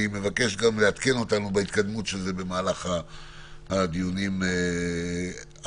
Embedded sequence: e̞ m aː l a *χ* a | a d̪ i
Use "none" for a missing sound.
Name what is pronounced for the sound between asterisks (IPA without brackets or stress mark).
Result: χ